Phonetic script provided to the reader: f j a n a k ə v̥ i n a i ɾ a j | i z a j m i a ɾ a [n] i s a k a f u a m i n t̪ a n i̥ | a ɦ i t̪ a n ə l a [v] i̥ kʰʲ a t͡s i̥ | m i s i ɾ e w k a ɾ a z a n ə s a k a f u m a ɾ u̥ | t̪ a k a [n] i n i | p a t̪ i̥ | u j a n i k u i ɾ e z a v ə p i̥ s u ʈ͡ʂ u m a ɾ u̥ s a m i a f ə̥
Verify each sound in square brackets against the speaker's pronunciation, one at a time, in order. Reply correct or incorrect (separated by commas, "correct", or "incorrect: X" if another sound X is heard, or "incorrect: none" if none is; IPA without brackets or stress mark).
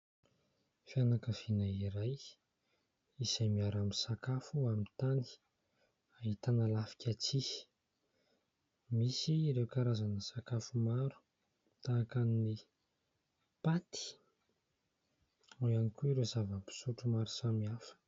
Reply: incorrect: m, incorrect: f, correct